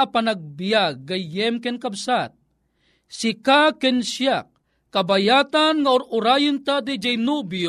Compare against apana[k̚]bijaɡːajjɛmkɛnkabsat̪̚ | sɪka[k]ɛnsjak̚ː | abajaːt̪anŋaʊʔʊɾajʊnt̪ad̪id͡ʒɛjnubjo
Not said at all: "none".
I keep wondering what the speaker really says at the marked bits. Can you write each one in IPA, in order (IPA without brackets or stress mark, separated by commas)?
ɡ̚, k